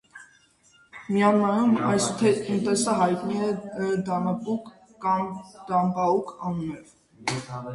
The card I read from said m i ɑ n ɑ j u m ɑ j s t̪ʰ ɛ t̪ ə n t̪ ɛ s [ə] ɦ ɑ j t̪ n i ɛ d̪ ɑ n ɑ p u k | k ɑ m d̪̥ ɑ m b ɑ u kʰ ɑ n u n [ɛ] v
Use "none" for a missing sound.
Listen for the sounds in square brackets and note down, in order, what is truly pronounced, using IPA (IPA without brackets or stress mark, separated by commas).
ə, ɛ